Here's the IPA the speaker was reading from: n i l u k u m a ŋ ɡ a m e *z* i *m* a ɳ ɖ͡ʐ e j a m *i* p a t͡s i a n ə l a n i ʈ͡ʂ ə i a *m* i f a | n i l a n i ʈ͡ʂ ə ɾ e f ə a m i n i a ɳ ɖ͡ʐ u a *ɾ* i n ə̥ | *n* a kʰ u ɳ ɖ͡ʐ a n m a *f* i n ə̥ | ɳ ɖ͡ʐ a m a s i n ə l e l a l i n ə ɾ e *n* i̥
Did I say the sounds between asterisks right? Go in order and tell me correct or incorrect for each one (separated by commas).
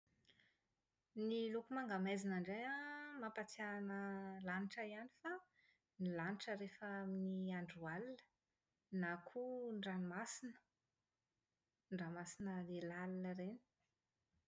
correct, incorrect, incorrect, incorrect, incorrect, correct, incorrect, correct